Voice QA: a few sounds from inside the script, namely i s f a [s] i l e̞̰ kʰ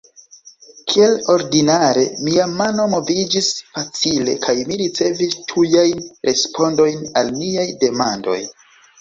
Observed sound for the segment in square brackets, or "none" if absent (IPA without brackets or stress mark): t͡s